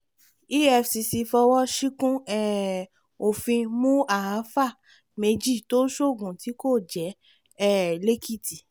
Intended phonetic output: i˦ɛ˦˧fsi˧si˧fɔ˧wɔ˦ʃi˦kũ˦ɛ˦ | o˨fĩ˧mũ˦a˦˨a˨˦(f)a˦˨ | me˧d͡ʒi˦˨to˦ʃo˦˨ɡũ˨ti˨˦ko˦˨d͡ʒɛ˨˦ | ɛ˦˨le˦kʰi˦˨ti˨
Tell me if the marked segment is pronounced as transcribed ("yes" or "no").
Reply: yes